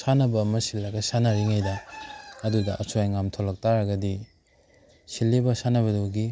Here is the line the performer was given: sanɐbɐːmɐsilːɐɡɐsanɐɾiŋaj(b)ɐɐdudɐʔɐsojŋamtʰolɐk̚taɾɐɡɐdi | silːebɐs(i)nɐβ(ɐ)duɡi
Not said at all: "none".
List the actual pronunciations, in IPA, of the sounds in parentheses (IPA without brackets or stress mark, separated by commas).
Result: d, a, ɐ